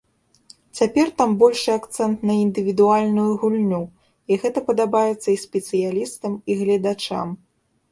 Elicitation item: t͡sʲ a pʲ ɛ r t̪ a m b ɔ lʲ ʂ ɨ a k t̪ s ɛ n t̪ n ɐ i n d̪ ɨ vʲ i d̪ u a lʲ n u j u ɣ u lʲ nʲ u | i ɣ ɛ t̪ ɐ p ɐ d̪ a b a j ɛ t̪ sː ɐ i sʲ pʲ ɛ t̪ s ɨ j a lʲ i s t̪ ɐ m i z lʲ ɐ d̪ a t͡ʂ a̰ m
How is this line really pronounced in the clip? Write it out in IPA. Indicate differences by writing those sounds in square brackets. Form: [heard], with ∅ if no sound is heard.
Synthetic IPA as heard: t͡sʲ a pʲ ɛ r t̪ a m b ɔ lʲ ʂ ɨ a k t̪ s ɛ n t̪ n ɐ i n d̪ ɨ vʲ i d̪ u a lʲ n u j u ɣ u lʲ nʲ u | i ɣ ɛ t̪ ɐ p ɐ d̪ a b a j ɛ t̪ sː ɐ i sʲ pʲ ɛ t̪ s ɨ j a lʲ i s t̪ ɐ m i [ɣ] lʲ ɐ d̪ a t͡ʂ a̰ m